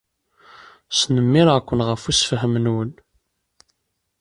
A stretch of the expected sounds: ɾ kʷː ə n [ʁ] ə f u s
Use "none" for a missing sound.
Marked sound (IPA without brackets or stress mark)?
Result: ʁ